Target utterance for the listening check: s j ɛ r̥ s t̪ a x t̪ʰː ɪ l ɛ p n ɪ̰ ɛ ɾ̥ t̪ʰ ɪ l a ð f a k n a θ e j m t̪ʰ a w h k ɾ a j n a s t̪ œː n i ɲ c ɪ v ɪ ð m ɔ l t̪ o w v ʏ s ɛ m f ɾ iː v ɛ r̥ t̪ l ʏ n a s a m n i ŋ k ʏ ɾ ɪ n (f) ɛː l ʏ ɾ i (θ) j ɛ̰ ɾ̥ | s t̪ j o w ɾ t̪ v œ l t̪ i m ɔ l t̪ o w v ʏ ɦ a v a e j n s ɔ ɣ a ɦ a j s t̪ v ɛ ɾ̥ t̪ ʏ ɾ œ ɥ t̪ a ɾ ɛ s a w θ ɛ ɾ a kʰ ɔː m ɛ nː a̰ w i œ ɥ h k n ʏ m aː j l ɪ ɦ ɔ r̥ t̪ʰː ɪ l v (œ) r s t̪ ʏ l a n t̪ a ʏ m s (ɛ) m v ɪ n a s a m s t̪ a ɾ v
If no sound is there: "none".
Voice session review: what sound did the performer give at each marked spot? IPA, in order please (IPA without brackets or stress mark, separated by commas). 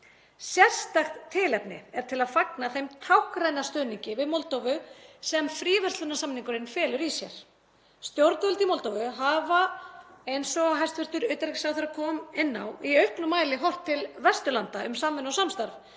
f, s, ɛ, a